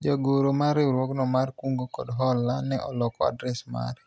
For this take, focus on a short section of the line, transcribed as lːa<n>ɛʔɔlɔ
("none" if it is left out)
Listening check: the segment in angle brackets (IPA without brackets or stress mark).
n